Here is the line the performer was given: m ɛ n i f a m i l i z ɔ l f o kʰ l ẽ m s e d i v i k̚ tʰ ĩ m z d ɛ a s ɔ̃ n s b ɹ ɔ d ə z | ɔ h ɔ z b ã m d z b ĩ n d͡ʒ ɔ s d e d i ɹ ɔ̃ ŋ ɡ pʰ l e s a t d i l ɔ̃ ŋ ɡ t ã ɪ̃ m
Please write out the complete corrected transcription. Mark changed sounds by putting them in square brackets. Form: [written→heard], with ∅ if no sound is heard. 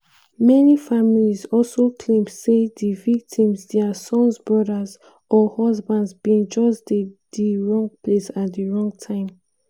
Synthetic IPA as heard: m ɛ n i f a m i l i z ɔ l [f→s] o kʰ l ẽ m s e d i v i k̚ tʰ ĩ m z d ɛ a s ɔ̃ n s b ɹ ɔ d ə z | ɔ h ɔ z b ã [m→n] d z b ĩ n d͡ʒ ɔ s d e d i ɹ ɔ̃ ŋ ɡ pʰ l e s a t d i [l→ɹ] ɔ̃ ŋ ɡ [t→tʰ] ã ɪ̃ m

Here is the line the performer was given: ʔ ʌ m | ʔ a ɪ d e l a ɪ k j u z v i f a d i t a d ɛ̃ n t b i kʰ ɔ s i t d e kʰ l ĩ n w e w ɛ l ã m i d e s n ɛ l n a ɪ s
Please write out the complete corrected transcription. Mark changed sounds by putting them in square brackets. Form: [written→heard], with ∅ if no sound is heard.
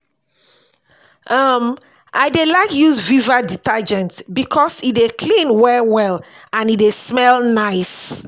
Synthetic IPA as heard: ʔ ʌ m | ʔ a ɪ d e l a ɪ k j u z v i [f→v] a d i t a [d→d͡ʒ] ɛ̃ n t b i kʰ ɔ s i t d e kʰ l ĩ n w [e→ɛ] w ɛ l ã [m→n] i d e s [n→m] ɛ l n a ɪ s

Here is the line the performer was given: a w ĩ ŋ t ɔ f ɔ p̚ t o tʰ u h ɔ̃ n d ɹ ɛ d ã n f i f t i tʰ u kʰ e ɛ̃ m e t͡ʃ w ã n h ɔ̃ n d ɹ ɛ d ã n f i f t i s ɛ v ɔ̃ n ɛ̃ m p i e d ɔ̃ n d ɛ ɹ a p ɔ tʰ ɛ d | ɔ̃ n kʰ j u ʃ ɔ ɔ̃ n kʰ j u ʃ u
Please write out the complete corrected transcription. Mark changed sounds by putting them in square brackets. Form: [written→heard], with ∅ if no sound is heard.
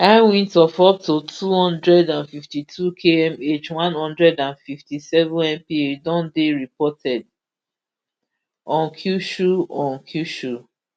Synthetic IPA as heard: a w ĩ [ŋ→n] t ɔ f ɔ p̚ t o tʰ u h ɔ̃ n d ɹ ɛ d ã n f i f t i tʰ u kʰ e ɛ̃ m e t͡ʃ w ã n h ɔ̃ n d ɹ ɛ d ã n f i f t i s ɛ v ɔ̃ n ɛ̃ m p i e d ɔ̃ n d [ɛ→e] ɹ [a→i] p ɔ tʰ ɛ d | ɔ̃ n kʰ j u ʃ [ɔ→u] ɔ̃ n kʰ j u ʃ u

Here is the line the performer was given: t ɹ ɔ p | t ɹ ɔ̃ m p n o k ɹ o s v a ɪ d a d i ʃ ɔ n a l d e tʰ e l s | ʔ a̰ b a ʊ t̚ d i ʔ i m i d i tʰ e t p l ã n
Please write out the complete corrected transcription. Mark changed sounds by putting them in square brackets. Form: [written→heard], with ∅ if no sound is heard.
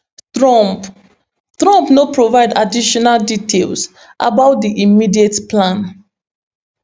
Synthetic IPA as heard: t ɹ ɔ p | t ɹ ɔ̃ m p n o [k→p] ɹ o [s→∅] v a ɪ d a d i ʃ ɔ n a l d [e→i] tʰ e l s | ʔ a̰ b a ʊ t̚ d i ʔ i m i d i [tʰ→∅] e t p l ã n

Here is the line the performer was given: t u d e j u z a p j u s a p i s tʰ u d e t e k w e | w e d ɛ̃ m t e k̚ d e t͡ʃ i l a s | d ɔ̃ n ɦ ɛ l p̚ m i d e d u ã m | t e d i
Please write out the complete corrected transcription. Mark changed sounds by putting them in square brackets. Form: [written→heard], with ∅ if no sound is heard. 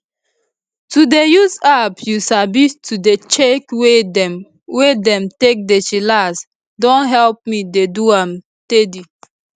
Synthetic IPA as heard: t u d e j u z a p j u s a [p→b] i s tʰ u d e [t→t͡ʃ] e k w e | w e d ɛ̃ m t e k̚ d e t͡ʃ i l a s | d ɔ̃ n ɦ ɛ l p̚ m i d e d u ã m | t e d i

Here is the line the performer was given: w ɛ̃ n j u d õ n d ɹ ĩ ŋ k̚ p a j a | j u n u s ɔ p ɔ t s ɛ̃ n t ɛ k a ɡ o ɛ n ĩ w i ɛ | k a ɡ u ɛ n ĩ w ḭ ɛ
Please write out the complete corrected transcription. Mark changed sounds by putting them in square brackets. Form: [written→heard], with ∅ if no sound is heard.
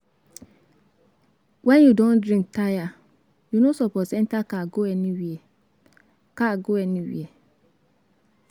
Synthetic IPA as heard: w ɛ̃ n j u d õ n d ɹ ĩ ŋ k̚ [p→t] a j a | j u n [u→o] s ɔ p ɔ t s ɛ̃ n t [ɛ→a] k a ɡ o ɛ n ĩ w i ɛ | k a ɡ [u→o] ɛ n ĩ w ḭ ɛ

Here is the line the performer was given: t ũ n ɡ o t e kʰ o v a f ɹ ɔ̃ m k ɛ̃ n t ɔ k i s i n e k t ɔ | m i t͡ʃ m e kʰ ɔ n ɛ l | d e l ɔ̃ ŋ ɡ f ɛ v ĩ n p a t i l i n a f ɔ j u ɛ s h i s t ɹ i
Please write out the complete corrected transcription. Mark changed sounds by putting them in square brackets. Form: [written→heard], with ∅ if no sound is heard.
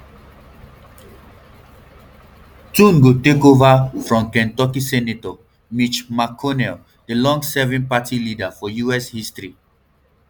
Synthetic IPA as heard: t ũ n ɡ o t e [kʰ→k] o v a f ɹ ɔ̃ m k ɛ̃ n t ɔ k i s [i→ɛ] n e [k→∅] t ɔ | m i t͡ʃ m [e→a] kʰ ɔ n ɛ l | d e l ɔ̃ ŋ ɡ [f→s] ɛ v ĩ n p a t i l i [n→d] a f ɔ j u ɛ s h i s t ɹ i

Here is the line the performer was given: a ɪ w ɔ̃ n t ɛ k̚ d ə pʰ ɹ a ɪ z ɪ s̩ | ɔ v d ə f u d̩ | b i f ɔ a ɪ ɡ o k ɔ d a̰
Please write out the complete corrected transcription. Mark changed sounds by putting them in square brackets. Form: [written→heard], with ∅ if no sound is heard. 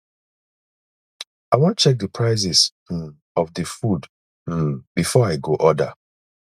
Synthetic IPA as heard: a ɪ w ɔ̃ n [t→t͡ʃ] ɛ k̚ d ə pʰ ɹ a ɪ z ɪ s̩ | ɔ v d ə f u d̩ | b i f ɔ a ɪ ɡ o [k→ʔ] ɔ d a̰

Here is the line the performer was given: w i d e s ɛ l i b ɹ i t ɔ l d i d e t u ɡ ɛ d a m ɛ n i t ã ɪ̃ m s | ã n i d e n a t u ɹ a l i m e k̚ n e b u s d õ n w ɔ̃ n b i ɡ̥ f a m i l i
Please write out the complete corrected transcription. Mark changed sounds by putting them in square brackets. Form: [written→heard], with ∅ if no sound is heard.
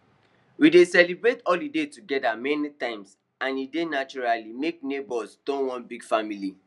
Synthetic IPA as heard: w i d e s ɛ l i b ɹ [i→e] t ɔ l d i d e t u ɡ ɛ d a m ɛ n i t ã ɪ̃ m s | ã n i d e n a [t→t͡ʃ] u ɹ a l i m e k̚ n e b [u→ɔ] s d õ n w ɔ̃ n b i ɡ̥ f a m i l i

